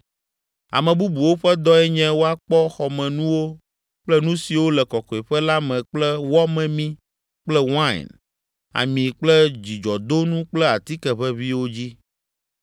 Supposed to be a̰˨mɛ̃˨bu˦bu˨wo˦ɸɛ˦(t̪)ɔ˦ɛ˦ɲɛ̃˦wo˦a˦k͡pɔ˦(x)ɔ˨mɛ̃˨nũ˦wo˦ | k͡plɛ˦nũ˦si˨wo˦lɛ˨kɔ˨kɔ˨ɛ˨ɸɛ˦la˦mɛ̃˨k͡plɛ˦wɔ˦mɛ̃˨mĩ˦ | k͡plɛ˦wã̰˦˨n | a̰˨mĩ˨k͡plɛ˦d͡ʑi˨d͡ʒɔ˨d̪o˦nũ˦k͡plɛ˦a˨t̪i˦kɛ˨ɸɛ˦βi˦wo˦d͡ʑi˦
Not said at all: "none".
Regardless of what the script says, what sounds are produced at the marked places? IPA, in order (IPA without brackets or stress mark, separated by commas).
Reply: d̪, x